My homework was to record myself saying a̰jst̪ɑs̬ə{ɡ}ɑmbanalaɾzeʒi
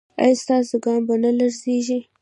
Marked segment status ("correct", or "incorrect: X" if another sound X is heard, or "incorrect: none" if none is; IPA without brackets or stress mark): correct